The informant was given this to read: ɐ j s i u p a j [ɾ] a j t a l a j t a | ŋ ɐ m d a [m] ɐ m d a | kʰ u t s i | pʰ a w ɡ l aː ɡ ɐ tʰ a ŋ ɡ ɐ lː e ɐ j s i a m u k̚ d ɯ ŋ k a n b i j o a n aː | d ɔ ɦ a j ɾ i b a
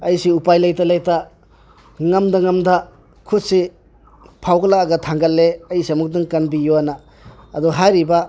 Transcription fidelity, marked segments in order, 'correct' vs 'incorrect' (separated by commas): incorrect, incorrect